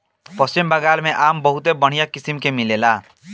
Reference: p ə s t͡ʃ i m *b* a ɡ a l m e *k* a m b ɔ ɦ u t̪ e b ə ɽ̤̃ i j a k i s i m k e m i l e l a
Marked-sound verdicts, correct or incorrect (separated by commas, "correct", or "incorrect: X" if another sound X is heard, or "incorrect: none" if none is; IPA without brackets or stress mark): correct, incorrect: ʔ